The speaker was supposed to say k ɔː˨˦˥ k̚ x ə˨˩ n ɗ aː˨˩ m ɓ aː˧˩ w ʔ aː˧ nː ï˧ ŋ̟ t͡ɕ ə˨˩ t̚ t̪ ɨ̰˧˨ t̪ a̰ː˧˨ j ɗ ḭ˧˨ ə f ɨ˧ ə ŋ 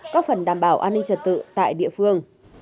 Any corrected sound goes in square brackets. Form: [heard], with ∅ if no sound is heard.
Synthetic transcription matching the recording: k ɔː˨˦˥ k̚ [f] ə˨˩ n ɗ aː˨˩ m ɓ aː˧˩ w ʔ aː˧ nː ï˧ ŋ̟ t͡ɕ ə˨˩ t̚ t̪ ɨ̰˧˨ t̪ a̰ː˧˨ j ɗ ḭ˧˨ ə f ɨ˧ ə ŋ